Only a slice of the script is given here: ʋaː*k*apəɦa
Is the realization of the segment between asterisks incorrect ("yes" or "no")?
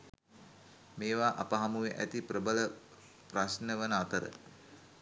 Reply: yes